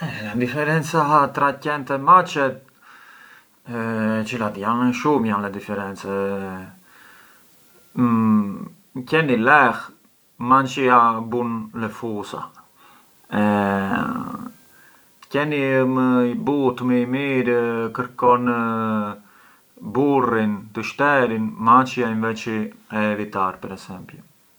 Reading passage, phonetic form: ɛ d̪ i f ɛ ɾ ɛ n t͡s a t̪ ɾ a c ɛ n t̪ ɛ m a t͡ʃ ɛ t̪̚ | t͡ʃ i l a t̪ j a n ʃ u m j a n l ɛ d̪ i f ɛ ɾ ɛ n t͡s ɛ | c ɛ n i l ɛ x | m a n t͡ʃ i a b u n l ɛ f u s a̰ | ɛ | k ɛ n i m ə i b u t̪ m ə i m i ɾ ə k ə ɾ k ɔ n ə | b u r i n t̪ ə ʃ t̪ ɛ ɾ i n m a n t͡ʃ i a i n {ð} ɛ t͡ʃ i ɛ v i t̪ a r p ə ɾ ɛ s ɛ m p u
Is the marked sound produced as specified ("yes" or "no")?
no